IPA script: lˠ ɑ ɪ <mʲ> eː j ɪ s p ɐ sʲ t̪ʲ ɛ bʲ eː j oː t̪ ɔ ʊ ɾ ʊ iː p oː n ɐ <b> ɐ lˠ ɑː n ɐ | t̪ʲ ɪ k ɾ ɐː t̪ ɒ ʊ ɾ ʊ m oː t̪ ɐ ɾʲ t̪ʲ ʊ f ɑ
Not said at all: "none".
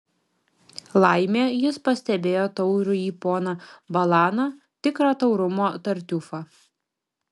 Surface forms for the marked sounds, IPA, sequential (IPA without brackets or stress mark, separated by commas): mʲ, b